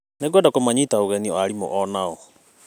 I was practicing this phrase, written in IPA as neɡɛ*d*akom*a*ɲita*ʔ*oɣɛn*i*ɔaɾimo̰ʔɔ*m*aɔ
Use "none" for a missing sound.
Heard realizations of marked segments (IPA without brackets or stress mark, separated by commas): d, a, none, i, n